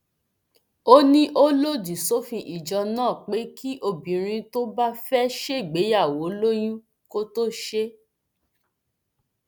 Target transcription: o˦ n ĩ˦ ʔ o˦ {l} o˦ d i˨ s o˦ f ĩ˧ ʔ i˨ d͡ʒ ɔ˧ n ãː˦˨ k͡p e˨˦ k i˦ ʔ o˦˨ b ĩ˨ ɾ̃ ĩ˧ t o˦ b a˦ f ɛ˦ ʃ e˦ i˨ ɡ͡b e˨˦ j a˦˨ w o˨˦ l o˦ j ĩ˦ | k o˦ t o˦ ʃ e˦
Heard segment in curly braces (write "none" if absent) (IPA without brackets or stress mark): l